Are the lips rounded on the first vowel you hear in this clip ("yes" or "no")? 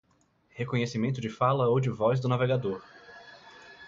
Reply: no